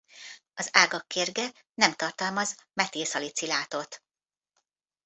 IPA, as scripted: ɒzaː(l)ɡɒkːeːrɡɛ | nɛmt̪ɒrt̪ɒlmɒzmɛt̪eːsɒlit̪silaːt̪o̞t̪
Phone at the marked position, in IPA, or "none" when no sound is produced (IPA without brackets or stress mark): none